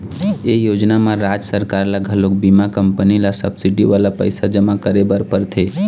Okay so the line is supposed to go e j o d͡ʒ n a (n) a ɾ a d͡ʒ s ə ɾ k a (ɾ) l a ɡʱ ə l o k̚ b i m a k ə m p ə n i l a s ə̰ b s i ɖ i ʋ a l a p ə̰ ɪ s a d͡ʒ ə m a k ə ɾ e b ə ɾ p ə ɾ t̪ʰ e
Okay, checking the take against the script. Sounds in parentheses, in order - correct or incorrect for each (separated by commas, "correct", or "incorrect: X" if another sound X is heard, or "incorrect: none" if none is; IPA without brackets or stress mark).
incorrect: m, correct